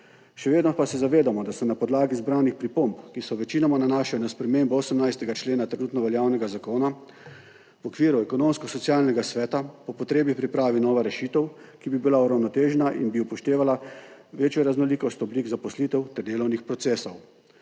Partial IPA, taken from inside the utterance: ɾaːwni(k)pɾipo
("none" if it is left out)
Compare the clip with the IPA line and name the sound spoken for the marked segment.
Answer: x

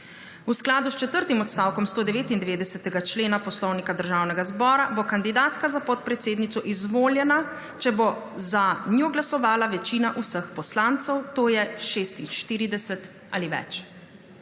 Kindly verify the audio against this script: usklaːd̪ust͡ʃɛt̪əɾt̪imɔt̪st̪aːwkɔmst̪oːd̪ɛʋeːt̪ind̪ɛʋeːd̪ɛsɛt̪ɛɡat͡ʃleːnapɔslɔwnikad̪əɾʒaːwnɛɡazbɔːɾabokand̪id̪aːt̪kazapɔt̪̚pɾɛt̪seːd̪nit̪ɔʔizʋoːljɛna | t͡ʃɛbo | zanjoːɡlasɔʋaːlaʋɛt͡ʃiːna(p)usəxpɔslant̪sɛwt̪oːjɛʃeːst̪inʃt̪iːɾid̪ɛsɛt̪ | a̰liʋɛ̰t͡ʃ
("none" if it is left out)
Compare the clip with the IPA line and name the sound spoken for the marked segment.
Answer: ʔ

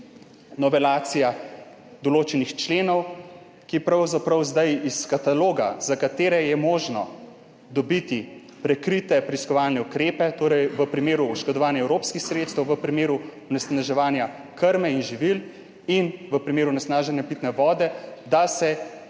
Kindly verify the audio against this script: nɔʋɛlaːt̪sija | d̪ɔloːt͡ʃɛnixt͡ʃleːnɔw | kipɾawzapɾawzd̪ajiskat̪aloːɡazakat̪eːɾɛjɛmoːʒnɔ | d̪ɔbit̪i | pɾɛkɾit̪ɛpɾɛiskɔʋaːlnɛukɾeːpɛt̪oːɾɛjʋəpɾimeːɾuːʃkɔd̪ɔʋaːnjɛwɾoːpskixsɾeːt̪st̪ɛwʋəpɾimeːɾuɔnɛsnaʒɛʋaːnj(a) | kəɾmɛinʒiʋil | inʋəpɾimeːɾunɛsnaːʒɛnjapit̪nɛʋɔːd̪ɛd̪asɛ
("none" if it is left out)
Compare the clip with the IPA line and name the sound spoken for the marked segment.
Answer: a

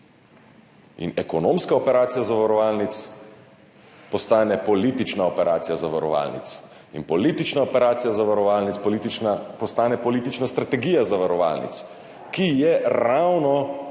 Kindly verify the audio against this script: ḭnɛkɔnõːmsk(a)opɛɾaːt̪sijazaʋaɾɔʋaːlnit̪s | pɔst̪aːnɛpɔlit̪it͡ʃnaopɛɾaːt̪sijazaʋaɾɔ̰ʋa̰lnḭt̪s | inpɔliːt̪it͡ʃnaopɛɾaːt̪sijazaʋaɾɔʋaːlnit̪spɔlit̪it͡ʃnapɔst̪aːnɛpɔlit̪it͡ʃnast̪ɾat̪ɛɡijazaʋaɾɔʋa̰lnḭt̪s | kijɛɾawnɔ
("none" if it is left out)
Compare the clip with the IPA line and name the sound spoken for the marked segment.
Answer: a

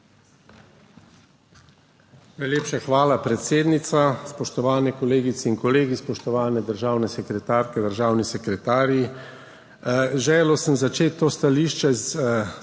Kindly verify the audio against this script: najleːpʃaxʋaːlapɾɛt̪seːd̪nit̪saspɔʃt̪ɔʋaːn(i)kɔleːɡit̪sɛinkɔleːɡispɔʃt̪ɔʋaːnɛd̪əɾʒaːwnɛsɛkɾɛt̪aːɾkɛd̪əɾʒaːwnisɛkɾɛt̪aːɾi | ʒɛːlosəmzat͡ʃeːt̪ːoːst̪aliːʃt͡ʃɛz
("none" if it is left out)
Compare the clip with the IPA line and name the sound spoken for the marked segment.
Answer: ɛ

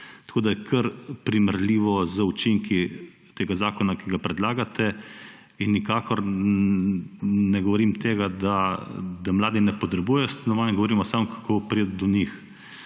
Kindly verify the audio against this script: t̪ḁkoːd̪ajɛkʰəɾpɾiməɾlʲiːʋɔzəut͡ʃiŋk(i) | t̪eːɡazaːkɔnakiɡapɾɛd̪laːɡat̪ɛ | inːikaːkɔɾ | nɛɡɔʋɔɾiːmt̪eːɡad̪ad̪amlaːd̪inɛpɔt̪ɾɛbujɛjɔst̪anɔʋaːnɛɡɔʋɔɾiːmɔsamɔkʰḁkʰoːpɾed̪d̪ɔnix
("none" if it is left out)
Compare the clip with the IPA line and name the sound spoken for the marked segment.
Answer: i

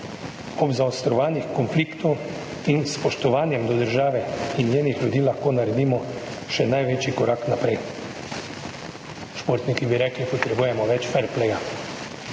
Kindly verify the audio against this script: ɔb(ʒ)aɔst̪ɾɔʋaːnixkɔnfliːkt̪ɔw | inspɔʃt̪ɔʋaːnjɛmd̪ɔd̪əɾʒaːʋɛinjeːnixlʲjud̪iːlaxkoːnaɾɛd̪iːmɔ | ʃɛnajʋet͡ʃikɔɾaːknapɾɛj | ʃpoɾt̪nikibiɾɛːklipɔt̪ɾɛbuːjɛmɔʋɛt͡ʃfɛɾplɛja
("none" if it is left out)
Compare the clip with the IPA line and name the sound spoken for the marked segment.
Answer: z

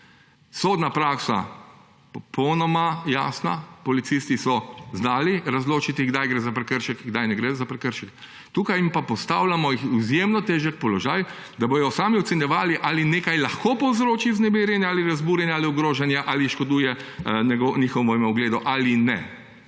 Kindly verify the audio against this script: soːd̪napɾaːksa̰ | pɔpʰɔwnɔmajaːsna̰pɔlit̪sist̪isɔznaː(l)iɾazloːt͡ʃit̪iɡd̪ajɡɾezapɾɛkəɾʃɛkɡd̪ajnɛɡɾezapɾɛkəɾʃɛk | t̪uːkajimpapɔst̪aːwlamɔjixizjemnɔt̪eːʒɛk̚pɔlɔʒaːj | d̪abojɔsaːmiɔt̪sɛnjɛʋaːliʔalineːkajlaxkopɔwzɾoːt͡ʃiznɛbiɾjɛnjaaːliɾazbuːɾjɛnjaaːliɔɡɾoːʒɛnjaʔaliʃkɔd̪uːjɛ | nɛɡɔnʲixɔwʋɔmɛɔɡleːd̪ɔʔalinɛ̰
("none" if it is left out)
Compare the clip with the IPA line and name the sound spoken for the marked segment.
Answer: l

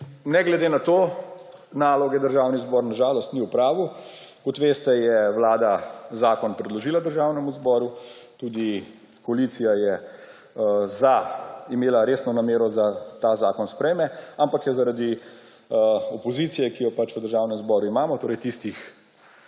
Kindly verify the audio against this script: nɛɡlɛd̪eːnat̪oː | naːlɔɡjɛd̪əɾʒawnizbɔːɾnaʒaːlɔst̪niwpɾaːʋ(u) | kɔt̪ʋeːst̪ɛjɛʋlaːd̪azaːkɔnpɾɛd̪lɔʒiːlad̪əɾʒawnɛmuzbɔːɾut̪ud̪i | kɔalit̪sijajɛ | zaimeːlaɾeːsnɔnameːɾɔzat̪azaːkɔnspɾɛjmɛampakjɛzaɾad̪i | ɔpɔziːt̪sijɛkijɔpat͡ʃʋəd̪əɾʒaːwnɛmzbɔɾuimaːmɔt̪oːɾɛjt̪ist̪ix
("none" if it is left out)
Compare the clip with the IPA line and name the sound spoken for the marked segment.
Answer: u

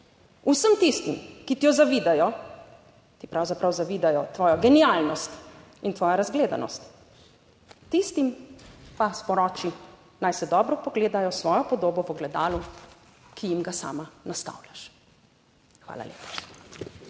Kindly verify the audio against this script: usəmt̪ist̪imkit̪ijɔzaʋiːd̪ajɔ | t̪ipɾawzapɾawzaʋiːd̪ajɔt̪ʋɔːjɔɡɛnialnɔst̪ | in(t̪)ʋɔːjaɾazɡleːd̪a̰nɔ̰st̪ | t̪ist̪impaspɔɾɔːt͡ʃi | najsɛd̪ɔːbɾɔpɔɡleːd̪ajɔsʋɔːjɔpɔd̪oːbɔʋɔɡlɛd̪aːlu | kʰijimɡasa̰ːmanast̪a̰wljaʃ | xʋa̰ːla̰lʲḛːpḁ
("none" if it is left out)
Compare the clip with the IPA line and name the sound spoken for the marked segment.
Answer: t̪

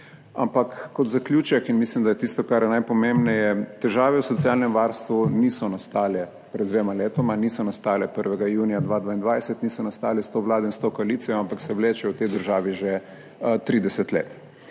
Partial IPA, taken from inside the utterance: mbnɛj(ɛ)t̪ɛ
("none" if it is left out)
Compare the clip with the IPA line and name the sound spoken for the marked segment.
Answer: ɛ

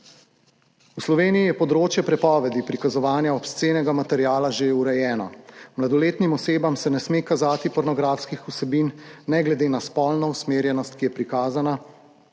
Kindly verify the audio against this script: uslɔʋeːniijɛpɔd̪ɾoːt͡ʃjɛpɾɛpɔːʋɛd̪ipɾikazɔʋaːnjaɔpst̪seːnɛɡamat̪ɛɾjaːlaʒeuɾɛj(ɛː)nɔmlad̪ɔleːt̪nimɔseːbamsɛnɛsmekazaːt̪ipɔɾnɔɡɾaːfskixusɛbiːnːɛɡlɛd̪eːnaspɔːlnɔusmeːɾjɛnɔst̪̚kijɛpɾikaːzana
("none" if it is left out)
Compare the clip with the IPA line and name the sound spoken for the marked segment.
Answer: ɛː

